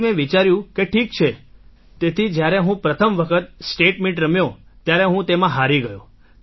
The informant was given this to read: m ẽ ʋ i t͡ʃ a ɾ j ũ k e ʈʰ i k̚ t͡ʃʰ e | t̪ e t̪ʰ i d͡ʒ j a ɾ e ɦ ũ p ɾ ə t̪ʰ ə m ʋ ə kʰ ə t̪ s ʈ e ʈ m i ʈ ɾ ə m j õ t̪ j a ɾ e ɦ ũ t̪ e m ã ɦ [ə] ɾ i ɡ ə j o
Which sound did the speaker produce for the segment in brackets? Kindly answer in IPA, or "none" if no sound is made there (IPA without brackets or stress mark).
a